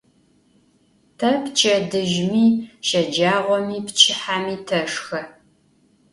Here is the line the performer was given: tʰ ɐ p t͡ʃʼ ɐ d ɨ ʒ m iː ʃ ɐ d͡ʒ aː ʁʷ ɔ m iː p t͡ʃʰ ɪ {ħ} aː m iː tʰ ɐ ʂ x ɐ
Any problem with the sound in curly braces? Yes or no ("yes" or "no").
no